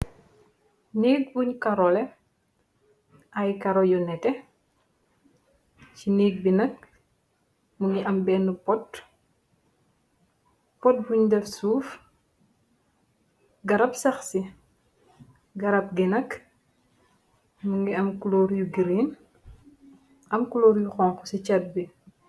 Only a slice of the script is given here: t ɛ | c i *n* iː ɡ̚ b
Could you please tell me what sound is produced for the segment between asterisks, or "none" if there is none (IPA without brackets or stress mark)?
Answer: n